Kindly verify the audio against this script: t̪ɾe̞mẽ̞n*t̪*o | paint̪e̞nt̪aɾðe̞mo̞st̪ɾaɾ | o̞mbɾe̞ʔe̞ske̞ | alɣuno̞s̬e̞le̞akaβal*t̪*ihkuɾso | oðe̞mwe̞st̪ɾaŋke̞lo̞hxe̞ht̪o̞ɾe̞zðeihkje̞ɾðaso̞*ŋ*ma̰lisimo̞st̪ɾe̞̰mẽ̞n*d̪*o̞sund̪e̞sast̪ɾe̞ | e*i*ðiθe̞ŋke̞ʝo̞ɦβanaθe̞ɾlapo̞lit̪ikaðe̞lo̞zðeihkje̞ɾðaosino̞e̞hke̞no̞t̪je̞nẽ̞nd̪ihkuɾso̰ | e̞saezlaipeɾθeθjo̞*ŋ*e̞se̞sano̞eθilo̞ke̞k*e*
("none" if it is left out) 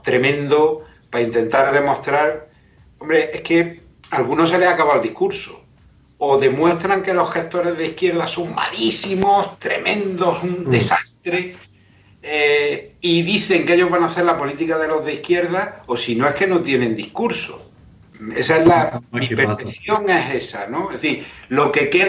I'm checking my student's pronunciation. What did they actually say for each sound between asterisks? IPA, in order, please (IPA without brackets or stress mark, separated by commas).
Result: d̪, d̪, ŋ, d̪, i, ŋ, e